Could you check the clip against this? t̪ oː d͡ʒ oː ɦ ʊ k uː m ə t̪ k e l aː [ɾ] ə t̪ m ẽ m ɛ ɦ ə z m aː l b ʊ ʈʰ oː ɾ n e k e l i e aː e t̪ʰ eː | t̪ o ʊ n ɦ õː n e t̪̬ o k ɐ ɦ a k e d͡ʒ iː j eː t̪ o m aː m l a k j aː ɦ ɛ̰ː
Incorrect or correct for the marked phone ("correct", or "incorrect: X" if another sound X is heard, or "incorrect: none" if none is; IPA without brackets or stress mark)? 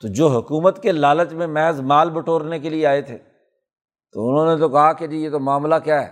incorrect: l